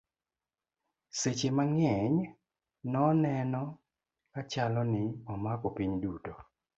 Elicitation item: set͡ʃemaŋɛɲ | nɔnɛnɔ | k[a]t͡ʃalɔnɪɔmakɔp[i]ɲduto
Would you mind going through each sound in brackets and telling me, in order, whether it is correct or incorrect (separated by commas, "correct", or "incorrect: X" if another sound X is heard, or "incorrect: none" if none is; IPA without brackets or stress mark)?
correct, correct